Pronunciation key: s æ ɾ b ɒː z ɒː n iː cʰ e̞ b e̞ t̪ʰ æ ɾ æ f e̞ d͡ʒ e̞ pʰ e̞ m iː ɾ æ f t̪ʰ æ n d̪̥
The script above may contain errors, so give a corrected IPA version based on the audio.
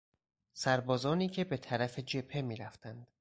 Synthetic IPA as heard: s æ ɾ b ɒː z ɒː n iː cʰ e̞ b e̞ t̪ʰ æ ɾ æ f e̞ d͡ʒ e̞ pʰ e̞ m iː ɾ æ f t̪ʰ æ n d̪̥